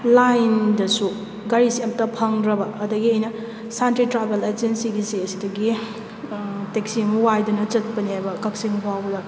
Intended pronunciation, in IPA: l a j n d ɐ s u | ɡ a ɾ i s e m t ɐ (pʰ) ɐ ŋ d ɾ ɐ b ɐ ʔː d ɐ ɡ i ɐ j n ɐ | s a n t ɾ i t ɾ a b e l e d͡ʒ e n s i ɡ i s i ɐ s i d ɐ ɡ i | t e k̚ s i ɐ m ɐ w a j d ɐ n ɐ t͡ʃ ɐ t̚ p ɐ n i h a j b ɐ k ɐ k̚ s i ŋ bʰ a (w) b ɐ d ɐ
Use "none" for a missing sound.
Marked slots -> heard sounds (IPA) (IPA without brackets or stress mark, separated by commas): pʰ, w